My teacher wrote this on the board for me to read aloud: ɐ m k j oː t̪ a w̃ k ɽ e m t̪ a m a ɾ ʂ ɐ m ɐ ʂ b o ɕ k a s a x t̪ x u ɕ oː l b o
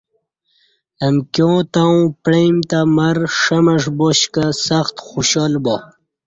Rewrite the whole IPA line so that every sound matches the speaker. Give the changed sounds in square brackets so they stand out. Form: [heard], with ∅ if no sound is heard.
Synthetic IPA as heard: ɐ m k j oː t̪ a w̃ [p] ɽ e m t̪ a m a ɾ ʂ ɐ m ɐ ʂ b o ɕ k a s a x t̪ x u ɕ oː l b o